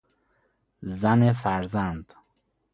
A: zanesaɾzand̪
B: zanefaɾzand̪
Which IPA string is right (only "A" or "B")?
B